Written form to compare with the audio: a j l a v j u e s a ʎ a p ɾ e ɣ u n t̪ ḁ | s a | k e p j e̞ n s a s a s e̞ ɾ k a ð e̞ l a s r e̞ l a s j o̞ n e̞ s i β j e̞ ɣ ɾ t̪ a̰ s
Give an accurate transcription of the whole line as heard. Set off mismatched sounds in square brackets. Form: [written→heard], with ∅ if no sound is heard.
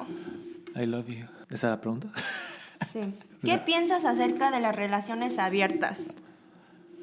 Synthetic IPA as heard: a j l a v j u e s a [ʎ→l] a p ɾ e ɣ u n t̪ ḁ | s [a→i] | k e p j e̞ n s a s a s e̞ ɾ k a ð e̞ l a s r e̞ l a s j o̞ n e̞ s [i→a] β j e̞ [ɣ→∅] ɾ t̪ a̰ s